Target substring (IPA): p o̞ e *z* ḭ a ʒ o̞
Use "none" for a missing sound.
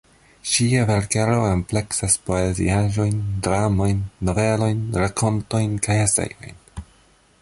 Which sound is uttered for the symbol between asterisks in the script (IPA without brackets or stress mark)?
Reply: z